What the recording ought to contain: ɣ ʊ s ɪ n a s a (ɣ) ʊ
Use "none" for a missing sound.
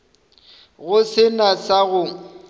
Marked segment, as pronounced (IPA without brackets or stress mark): ɣ